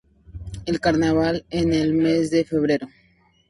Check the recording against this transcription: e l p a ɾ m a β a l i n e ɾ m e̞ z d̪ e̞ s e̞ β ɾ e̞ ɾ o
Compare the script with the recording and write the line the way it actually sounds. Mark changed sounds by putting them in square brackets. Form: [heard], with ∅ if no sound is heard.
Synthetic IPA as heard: e l [k] a ɾ [n] a β a l [e] n e [l] m e̞ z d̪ e̞ [f] e̞ β ɾ e̞ ɾ o